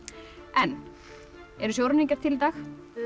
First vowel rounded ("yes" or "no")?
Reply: no